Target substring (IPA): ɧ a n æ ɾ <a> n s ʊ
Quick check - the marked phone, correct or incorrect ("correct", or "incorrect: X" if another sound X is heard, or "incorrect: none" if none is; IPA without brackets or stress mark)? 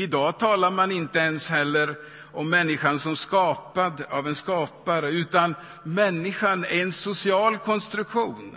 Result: incorrect: ɛ